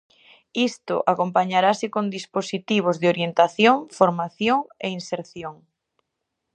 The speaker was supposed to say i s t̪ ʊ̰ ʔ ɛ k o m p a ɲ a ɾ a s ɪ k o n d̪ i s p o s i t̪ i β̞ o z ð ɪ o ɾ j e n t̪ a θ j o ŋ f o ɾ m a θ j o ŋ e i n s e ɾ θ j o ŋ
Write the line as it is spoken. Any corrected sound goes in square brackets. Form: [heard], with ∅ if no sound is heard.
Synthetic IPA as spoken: i s t̪ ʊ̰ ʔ [a] k o m p a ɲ a ɾ a s ɪ k o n d̪ i s p o s i t̪ i β̞ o z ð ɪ o ɾ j e n t̪ a θ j o ŋ f o ɾ m a θ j o ŋ e i n s e ɾ θ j o ŋ